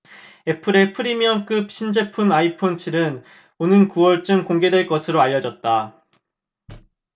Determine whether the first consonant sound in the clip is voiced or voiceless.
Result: voiceless